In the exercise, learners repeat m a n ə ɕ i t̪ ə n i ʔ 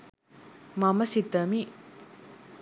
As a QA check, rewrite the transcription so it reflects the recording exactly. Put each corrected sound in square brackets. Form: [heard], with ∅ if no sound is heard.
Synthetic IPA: m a [m] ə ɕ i t̪ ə [m] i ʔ